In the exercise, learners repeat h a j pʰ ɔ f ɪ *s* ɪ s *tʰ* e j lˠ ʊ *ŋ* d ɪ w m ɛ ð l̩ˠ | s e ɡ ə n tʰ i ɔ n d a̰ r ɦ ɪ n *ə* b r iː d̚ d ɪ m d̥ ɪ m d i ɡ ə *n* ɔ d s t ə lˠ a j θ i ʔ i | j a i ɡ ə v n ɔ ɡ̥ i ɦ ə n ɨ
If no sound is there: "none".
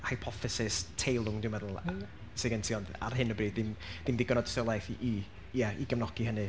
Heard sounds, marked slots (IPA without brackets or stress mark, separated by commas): s, tʰ, ŋ, ə, n